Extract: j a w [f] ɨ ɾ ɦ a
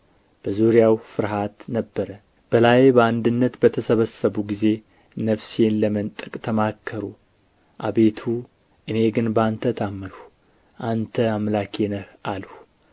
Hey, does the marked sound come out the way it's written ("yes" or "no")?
yes